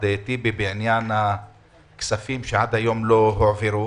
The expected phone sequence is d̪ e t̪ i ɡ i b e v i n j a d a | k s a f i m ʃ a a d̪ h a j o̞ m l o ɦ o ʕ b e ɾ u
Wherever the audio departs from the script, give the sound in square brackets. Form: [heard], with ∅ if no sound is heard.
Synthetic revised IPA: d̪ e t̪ i [b] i b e [ʕ] i n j a [n] a | k s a f i m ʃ [e] a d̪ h a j o̞ m l o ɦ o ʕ [v] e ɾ u